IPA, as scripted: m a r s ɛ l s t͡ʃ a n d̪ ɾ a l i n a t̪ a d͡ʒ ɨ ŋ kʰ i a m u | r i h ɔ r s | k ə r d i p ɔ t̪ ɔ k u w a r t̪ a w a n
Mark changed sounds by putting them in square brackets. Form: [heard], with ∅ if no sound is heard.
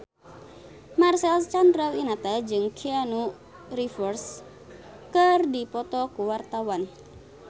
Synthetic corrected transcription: m a r s ɛ l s t͡ʃ a n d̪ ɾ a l i n a t̪ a d͡ʒ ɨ ŋ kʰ i a [n] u | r i [f] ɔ r s | k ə r d i p ɔ t̪ ɔ k u w a r t̪ a w a n